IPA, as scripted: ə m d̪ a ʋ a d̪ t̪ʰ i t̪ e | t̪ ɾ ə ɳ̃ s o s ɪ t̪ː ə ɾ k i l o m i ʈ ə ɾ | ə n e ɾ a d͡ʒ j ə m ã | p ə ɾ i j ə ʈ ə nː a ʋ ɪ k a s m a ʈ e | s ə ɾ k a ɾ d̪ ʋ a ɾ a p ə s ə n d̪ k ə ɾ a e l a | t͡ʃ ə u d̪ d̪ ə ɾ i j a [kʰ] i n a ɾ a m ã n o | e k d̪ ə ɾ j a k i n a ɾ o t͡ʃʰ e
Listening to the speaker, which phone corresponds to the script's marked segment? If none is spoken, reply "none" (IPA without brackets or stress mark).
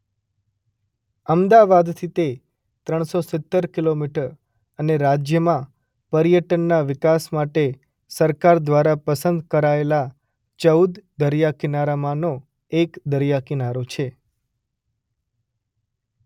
k